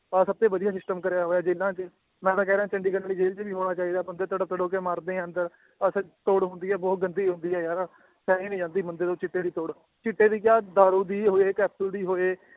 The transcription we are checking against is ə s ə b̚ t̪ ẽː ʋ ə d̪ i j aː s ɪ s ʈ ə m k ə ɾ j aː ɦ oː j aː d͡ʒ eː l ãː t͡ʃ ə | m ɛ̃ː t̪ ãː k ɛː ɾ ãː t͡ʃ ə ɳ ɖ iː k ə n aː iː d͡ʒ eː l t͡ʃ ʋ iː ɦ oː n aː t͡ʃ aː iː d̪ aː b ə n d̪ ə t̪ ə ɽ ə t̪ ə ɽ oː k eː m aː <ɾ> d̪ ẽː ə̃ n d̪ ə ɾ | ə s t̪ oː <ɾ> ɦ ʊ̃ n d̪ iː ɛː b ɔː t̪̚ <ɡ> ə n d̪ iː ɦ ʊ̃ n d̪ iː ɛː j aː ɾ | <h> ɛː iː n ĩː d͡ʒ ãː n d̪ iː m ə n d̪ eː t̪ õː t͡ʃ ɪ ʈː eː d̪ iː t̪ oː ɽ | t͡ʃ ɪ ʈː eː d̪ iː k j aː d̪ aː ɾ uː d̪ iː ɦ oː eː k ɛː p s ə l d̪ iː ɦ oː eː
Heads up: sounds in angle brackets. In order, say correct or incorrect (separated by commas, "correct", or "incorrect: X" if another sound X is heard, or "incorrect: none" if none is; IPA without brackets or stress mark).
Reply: correct, incorrect: ɽ, correct, incorrect: s